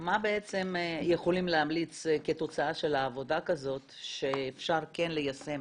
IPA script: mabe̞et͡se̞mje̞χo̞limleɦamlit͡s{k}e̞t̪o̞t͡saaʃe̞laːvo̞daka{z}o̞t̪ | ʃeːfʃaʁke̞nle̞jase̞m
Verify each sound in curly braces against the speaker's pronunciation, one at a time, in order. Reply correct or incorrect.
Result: correct, correct

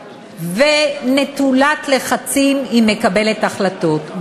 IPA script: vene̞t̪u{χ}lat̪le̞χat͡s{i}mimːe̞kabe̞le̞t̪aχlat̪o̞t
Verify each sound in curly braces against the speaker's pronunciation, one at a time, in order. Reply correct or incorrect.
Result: incorrect, correct

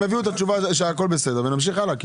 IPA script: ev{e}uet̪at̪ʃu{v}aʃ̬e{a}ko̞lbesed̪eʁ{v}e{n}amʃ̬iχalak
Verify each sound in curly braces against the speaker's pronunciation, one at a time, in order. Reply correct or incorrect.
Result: incorrect, correct, correct, correct, correct

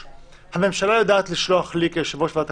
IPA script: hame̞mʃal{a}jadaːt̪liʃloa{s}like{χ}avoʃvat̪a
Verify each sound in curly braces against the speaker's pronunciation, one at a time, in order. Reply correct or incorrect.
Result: correct, incorrect, incorrect

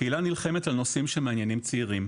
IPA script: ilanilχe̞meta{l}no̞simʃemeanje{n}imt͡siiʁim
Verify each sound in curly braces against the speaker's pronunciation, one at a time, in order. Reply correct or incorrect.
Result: correct, correct

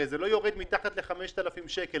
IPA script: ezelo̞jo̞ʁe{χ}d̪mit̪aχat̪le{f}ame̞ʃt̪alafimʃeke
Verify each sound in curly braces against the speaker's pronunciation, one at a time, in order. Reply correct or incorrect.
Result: incorrect, incorrect

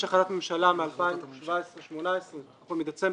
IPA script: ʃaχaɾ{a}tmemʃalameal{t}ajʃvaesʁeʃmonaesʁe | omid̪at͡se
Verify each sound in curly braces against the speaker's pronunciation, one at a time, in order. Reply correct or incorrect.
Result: correct, incorrect

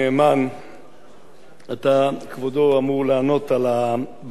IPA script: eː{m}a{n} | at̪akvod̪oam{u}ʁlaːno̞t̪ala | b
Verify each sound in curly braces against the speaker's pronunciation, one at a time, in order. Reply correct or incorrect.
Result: correct, correct, correct

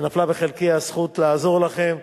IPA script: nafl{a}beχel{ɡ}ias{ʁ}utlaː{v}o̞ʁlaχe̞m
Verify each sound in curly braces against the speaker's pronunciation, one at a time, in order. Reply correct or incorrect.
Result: correct, incorrect, incorrect, incorrect

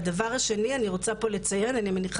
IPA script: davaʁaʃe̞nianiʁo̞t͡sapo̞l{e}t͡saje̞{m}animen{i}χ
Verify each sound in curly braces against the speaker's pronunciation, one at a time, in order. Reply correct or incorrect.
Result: correct, incorrect, correct

